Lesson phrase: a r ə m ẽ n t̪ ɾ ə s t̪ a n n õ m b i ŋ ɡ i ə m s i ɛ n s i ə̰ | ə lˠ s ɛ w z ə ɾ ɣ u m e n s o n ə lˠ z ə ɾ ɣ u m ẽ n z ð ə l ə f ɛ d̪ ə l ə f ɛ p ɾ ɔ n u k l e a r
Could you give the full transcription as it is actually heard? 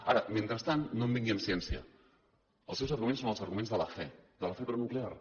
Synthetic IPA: a ɾ ə m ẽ n t̪ ɾ ə s t̪ a n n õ m b i ŋ ɡ i ə m s i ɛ n s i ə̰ | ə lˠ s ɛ w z ə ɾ ɣ u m e n s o n ə lˠ z ə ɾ ɣ u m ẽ n z ð ə l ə f ɛ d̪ ə l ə f ɛ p ɾ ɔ n u k l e a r

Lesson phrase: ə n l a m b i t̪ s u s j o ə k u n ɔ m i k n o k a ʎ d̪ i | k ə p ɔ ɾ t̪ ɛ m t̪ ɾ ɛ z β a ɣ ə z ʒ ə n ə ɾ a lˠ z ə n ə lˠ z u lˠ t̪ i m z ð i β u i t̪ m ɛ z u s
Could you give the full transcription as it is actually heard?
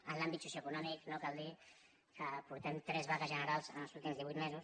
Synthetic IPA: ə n l a m b i t̪ s u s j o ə k u n ɔ m i k n o k a l d̪ i | k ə p u ɾ t̪ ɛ m t̪ ɾ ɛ z β a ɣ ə z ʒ ə n ə ɾ a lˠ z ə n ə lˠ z u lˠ t̪ i m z ð i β u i t̪ m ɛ z u s

